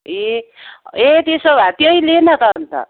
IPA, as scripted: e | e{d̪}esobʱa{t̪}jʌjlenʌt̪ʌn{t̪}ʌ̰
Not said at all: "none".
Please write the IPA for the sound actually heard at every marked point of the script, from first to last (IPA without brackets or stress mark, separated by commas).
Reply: t̪, t̪, t̪